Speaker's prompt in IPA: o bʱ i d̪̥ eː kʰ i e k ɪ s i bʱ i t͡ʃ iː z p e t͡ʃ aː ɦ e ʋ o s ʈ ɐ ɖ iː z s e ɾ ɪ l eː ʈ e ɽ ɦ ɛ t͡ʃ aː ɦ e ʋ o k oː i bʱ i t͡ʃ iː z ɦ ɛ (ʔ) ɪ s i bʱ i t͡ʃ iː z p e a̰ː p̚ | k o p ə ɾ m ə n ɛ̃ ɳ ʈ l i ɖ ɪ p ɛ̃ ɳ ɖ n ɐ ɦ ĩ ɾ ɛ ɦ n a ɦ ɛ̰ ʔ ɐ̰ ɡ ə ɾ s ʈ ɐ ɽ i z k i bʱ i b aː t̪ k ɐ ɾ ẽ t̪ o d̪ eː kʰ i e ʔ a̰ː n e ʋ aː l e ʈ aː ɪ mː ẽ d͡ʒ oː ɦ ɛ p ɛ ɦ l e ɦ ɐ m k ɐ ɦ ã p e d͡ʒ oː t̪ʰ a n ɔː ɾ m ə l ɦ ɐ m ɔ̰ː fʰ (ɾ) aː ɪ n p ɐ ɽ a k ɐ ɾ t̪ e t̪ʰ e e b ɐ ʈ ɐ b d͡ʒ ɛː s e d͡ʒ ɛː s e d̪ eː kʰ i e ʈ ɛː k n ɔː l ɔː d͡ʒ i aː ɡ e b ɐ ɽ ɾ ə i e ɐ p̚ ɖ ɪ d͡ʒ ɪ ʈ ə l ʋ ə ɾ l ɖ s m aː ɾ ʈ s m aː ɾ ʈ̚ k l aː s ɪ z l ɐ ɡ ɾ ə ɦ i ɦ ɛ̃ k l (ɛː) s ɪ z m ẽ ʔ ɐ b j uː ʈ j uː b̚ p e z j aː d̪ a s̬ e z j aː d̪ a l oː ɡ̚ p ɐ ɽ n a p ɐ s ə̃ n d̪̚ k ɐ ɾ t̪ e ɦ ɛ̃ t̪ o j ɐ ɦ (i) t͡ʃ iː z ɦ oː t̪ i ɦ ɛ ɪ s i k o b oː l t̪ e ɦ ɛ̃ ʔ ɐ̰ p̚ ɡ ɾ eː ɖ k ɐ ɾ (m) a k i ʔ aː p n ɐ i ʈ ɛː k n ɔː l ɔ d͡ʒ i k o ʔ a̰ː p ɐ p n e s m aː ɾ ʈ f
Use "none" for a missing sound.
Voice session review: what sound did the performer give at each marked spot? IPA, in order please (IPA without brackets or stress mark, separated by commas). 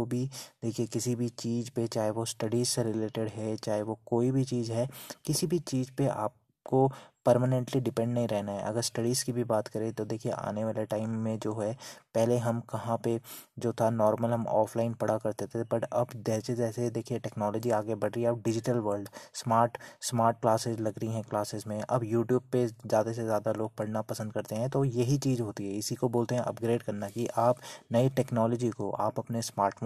k, l, aː, i, n